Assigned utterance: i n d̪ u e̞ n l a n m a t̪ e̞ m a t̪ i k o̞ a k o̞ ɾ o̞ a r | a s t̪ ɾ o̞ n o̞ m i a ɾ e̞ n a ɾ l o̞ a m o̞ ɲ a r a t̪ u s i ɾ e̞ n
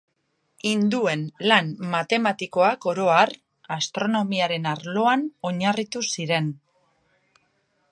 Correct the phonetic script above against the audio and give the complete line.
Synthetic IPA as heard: i n d̪ u e̞ n l a n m a t̪ e̞ m a t̪ i k o̞ a k o̞ ɾ o̞ a r | a s t̪ ɾ o̞ n o̞ m i a ɾ e̞ n a ɾ l o̞ a n o̞ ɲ a r i t̪ u s i ɾ e̞ n